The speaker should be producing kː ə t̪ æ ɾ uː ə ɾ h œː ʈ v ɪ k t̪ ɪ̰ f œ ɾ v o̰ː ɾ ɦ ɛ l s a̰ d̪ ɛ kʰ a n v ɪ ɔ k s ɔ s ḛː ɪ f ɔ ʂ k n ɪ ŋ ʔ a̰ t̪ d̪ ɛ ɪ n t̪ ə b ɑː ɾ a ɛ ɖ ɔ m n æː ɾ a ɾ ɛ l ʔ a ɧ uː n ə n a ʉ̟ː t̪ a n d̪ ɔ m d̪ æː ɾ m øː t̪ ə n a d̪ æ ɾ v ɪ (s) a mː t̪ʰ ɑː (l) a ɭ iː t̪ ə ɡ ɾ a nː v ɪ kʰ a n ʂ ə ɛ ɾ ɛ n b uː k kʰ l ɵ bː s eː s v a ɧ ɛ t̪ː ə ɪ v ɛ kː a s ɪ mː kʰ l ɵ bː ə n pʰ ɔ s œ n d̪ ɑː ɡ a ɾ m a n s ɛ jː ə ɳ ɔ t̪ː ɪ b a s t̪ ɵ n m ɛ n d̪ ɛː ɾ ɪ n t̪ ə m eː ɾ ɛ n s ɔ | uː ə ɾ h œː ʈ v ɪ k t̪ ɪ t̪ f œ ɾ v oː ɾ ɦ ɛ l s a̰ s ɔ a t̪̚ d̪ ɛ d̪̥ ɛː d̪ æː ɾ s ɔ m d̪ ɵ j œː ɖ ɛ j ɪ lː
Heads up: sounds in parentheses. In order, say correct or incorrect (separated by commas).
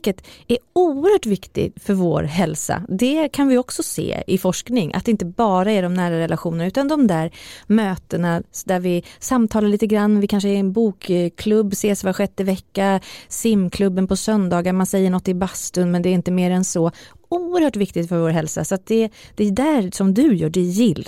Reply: correct, correct